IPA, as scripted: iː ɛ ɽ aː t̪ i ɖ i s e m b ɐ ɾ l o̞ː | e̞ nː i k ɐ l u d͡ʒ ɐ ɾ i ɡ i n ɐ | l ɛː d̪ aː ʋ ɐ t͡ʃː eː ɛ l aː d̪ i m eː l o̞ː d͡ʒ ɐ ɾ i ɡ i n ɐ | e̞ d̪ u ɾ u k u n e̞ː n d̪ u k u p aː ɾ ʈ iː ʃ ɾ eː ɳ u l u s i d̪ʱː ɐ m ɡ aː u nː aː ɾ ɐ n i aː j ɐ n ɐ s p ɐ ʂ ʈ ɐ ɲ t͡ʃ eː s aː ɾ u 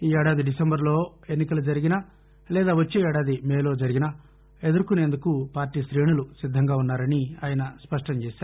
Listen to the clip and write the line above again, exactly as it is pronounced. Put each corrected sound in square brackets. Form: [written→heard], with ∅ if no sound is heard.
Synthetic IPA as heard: iː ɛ ɽ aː [t̪→d̪] i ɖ i s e m b ɐ ɾ l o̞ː | e̞ nː i k ɐ l u d͡ʒ ɐ ɾ i ɡ i n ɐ | l ɛː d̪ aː ʋ ɐ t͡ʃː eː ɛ [l→ɽ] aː d̪ i m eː l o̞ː d͡ʒ ɐ ɾ i ɡ i n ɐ | e̞ d̪ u ɾ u k u n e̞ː n d̪ u k u p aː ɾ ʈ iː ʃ ɾ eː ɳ u l u s i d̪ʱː ɐ [m→ŋ] ɡ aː u nː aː ɾ ɐ n i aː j ɐ n ɐ s p ɐ ʂ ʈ ɐ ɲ t͡ʃ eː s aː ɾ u

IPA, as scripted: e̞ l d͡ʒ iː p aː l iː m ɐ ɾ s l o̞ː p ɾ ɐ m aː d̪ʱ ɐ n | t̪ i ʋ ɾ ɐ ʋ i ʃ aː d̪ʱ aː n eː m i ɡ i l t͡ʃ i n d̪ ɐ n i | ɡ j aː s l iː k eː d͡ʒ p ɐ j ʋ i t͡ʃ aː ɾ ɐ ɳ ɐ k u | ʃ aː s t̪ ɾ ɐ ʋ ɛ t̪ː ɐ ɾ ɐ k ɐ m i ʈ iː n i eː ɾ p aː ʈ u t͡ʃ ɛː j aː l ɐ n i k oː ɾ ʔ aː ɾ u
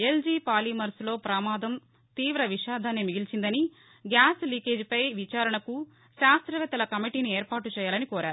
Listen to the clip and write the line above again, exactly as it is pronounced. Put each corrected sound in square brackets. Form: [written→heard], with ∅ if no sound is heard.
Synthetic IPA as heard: e̞ l d͡ʒ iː p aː l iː m ɐ ɾ s l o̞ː p ɾ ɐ m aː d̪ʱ ɐ [n→m] | t̪ [i→iː] ʋ ɾ ɐ ʋ i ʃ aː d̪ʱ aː n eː m i ɡ i l t͡ʃ i n d̪ ɐ n i | ɡ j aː s l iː k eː d͡ʒ p ɐ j ʋ i t͡ʃ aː ɾ ɐ ɳ ɐ k u | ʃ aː s t̪ ɾ ɐ ʋ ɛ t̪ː ɐ [ɾ→l] ɐ k ɐ m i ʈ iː n i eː ɾ p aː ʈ u t͡ʃ ɛː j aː l ɐ n i k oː ɾ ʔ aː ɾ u

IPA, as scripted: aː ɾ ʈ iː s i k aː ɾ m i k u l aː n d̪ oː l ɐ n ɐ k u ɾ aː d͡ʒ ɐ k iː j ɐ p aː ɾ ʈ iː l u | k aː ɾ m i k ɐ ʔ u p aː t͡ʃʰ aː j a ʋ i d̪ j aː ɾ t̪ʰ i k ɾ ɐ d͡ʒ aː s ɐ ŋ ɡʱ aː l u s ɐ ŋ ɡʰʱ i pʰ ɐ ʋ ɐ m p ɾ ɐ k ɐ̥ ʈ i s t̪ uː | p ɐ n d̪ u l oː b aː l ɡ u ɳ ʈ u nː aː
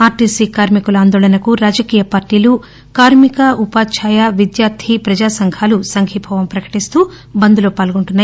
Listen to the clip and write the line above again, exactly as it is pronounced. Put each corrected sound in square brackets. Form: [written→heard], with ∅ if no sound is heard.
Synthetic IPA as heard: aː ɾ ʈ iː s i k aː ɾ m i k u l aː n d̪ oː l ɐ n ɐ k u ɾ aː d͡ʒ ɐ k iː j ɐ p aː ɾ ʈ iː l u | k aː ɾ m i k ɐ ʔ u p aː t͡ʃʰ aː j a ʋ i d̪ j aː ɾ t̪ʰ i [k→p] ɾ ɐ d͡ʒ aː s ɐ ŋ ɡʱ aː l u s ɐ ŋ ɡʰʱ i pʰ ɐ ʋ ɐ m p ɾ ɐ k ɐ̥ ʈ i s t̪ uː | [p→b] ɐ n d̪ u l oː [b→p] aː l ɡ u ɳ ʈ u nː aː

